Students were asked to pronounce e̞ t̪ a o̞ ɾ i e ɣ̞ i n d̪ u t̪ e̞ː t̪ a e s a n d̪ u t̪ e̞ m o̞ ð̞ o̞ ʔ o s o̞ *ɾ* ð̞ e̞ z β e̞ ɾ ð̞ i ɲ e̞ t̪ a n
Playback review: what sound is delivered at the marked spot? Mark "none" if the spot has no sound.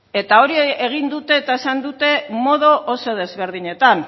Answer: none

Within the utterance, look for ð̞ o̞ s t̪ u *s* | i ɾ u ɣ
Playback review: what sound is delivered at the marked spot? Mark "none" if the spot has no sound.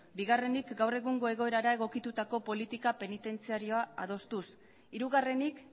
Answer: s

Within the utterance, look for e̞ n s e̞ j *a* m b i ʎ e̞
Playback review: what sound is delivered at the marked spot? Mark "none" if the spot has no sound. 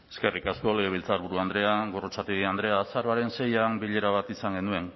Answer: a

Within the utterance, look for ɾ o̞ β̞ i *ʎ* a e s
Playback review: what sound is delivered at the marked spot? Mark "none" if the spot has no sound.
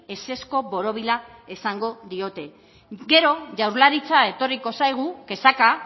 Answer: l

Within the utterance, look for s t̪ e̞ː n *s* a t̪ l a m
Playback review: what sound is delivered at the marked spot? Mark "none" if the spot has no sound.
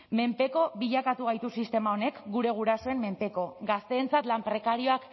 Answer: t͡s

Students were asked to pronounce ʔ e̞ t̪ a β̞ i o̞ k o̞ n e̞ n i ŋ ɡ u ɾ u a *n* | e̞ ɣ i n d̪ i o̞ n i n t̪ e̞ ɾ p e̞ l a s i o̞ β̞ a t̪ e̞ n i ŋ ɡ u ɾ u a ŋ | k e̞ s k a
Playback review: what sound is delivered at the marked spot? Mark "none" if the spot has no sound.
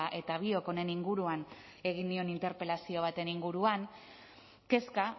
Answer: n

